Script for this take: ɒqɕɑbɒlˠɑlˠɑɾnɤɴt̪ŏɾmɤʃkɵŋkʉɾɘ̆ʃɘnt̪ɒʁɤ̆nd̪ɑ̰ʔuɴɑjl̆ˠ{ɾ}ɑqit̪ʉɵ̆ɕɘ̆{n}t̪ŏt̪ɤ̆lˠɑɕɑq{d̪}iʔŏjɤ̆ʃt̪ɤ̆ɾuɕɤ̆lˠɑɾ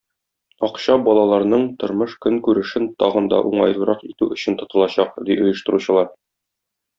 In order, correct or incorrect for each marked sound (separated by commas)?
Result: correct, correct, correct